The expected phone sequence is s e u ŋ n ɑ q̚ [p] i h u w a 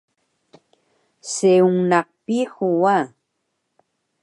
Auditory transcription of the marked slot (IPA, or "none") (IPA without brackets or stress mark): p